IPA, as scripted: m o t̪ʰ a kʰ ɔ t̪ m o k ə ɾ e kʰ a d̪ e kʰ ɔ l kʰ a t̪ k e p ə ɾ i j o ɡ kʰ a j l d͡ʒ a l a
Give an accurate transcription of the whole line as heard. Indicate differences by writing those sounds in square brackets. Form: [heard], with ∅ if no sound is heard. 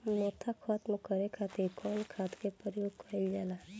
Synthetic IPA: m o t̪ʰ a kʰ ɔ t̪ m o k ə ɾ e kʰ a [t̪] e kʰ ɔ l kʰ a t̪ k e p ə ɾ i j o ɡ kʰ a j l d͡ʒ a l a